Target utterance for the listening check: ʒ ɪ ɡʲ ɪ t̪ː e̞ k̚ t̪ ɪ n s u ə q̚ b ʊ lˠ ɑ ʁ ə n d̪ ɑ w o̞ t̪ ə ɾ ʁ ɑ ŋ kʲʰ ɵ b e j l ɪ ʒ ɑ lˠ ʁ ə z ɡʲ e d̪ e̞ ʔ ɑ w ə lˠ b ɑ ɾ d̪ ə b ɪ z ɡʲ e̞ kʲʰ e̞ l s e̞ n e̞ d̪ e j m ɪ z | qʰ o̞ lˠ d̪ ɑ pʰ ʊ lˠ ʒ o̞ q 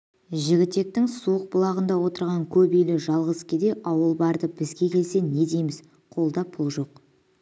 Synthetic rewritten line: ʒ ɪ ɡʲ ɪ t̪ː e̞ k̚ t̪ ɪ ŋ s u ə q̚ b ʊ lˠ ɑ ʁ ə n d̪ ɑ w o̞ t̪ ə ɾ ʁ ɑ ŋ kʲʰ ɵ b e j l ɪ ʒ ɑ lˠ ʁ ə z kʲ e d̪ e̞ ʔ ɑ w ə lˠ b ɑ ɾ d̪ ə b ɪ z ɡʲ e̞ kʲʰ e̞ l s e̞ n e̞ d̪ e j m ɪ z | qʰ o̞ lˠ d̪ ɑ pʰ ʊ lˠ ʒ o̞ q